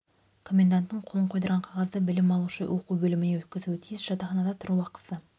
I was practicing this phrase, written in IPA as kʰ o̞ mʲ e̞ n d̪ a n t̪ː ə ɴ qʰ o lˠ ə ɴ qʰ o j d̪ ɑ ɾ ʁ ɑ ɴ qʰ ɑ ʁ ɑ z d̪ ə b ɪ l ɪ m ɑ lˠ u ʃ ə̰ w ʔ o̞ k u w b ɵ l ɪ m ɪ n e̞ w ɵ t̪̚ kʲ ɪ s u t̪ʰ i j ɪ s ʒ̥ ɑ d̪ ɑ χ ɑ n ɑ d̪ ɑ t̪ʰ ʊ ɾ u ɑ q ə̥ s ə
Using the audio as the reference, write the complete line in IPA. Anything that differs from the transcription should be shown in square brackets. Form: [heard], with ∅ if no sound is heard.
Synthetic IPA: kʰ o̞ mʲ e̞ n d̪ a n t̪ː ə ɴ qʰ o lˠ ə ɴ qʰ o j d̪ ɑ ɾ ʁ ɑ ɴ qʰ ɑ ʁ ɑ z d̪ ə b ɪ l ɪ m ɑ lˠ u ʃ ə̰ w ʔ o̞ [q] u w b ɵ l ɪ m ɪ n e̞ w ɵ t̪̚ kʲ ɪ [z] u t̪ʰ i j ɪ s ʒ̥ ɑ [t̪] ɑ χ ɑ n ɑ d̪ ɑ t̪ʰ ʊ ɾ u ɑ q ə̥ s ə